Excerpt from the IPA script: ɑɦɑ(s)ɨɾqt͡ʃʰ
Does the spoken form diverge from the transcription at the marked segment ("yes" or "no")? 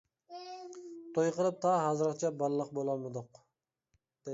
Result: yes